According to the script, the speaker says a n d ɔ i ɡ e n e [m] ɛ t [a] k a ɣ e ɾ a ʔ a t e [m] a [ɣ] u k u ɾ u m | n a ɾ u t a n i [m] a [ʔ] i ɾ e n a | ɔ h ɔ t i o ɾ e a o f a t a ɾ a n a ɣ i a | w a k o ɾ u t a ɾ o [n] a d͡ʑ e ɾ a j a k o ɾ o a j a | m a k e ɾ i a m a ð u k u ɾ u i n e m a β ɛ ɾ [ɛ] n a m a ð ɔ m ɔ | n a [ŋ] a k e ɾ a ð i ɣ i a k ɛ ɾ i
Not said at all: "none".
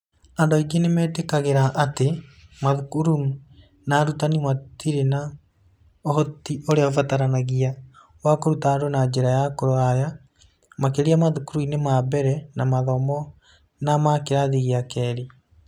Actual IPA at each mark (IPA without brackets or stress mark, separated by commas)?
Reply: m, e, m, ð, m, t, n, ɛ, m